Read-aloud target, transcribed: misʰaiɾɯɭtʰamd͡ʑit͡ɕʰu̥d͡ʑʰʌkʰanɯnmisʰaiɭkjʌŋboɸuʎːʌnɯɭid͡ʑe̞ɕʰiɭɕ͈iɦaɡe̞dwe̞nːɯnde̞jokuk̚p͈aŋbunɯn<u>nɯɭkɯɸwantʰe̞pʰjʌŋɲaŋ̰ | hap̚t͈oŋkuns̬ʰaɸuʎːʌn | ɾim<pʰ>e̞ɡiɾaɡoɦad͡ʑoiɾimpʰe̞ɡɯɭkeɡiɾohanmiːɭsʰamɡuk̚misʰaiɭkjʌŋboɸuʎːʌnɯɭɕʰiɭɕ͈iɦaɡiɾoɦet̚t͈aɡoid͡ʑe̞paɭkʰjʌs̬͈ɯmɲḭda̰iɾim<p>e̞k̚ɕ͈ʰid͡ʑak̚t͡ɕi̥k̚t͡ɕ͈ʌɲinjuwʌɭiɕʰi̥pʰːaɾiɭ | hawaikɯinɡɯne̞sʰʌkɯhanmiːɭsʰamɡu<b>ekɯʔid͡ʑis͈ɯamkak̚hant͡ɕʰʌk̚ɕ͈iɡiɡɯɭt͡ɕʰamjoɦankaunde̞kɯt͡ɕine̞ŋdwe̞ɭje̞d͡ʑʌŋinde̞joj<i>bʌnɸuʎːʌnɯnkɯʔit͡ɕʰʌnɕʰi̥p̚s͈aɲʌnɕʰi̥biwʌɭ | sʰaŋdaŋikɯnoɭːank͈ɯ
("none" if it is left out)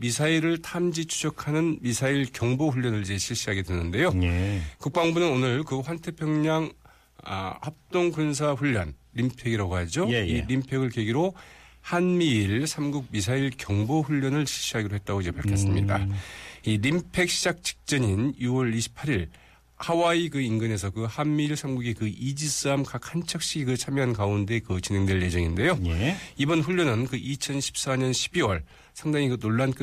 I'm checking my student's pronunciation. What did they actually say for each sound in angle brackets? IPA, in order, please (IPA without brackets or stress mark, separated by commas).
o, pʰ, pʰ, ɡ, i